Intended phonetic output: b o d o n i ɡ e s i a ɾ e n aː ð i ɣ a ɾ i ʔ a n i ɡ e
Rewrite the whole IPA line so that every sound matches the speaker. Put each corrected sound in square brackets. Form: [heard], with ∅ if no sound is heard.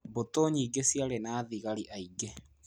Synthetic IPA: b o [t] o [ɲ] i ɡ e s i a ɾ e n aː ð i ɣ a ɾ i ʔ a [∅] i ɡ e